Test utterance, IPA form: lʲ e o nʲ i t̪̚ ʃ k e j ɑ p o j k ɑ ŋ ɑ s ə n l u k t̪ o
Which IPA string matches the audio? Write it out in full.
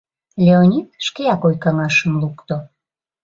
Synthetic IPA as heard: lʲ e o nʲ i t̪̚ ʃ k e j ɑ k o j k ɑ ŋ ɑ ʃ ə m l u k t̪ o